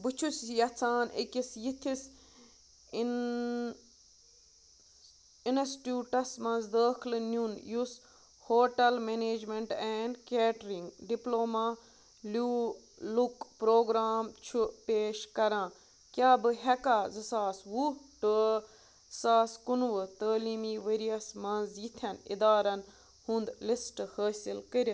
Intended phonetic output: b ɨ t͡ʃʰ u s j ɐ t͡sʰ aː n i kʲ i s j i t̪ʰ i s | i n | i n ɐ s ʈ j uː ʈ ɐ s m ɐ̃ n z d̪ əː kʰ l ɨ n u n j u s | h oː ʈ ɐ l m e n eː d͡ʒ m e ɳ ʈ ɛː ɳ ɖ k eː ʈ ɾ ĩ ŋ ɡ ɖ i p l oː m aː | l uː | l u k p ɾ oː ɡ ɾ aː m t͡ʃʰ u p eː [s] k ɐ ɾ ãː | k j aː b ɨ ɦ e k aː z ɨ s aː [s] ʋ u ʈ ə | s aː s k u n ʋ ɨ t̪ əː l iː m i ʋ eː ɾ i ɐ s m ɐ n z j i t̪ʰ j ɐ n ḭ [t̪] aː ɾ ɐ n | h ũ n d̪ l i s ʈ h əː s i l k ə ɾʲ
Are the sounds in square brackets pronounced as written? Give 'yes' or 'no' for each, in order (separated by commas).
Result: no, yes, no